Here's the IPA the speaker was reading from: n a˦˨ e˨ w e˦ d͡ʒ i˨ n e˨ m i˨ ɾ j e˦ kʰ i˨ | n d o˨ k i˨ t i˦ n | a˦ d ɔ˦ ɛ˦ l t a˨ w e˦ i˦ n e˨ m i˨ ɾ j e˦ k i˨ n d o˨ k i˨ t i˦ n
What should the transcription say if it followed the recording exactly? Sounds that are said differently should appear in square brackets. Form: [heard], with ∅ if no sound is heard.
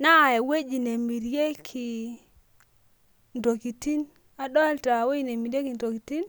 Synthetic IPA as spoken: n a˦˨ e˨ w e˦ d͡ʒ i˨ n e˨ m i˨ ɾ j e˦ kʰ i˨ | n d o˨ k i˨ t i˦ n | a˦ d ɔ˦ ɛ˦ l t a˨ w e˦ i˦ n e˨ m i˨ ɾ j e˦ k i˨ n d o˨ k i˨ t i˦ n